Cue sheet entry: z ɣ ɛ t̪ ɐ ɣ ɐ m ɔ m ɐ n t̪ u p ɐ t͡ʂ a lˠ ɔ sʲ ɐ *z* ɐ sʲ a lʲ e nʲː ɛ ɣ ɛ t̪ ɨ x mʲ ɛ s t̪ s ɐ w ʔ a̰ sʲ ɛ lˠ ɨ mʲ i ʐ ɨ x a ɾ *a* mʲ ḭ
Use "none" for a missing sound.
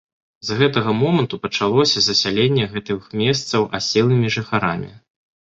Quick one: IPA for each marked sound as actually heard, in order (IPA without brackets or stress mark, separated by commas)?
z, a